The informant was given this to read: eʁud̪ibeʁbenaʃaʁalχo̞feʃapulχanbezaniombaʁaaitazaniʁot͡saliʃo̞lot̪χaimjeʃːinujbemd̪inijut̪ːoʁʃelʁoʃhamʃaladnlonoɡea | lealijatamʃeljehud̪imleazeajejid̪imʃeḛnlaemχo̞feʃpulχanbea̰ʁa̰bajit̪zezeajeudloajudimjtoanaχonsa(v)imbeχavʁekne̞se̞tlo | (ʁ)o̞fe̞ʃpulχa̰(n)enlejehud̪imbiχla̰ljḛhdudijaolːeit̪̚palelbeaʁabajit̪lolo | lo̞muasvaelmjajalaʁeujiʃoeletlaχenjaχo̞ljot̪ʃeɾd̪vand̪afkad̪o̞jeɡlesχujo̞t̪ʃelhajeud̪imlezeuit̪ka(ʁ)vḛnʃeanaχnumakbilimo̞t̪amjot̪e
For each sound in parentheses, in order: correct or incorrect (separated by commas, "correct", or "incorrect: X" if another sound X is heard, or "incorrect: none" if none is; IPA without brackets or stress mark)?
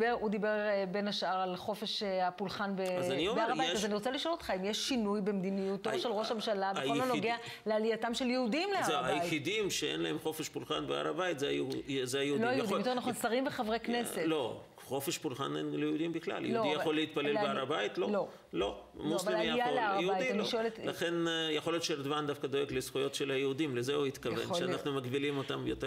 incorrect: ʁ, incorrect: χ, correct, incorrect: v